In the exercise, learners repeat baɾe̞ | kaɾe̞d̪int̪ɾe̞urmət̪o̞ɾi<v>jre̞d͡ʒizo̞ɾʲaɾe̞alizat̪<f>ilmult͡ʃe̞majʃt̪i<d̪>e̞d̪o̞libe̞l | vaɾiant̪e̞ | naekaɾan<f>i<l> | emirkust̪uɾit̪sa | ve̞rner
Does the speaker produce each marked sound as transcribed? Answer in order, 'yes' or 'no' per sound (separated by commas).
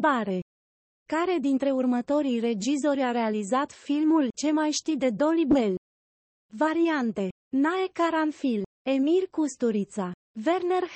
no, yes, yes, yes, yes